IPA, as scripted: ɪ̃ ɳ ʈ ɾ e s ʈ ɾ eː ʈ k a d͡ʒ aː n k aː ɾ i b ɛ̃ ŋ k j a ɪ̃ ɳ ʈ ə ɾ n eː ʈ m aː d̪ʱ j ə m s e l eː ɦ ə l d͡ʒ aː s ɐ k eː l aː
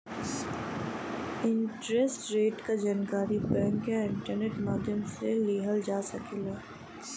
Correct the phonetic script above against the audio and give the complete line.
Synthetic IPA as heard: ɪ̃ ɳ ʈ ɾ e s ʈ ɾ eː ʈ k a d͡ʒ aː n k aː ɾ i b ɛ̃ ŋ k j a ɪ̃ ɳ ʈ ə ɾ n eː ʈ m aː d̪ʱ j ə m s e l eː ɦ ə l d͡ʒ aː s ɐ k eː l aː